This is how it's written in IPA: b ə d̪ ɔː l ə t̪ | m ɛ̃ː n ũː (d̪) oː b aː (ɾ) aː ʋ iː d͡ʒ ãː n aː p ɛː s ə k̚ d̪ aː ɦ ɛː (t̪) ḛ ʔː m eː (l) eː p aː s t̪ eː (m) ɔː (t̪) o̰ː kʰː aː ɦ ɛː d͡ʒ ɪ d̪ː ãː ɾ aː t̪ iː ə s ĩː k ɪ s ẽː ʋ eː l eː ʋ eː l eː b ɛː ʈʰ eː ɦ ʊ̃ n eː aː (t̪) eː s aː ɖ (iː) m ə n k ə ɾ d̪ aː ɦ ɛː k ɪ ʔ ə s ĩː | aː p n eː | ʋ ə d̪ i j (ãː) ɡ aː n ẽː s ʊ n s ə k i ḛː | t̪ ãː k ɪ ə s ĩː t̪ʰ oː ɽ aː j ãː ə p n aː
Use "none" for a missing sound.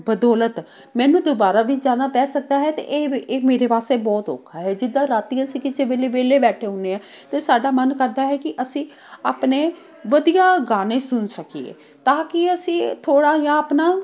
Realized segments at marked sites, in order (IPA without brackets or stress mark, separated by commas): d̪, ɾ, t̪, ɾ, b, t̪, t̪, aː, aː